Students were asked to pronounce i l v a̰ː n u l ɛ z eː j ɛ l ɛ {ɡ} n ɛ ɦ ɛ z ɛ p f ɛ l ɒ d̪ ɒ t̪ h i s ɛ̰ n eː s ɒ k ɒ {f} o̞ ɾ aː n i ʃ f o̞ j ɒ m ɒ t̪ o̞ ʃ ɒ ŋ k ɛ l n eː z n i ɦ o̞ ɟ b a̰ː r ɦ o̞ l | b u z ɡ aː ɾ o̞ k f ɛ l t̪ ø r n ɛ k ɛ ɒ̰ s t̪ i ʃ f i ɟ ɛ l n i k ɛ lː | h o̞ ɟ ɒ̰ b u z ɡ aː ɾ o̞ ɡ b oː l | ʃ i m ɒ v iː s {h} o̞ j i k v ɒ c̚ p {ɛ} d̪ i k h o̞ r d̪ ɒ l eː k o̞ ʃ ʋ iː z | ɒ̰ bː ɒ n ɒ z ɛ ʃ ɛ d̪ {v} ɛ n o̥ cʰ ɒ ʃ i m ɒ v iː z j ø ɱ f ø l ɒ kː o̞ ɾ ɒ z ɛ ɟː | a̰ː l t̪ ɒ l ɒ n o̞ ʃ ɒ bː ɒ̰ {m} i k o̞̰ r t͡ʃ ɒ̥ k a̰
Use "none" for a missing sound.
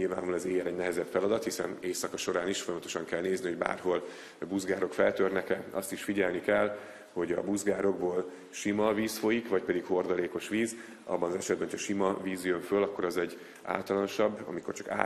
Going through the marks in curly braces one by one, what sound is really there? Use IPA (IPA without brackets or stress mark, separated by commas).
ɟ, ʃ, f, ɛ, b, m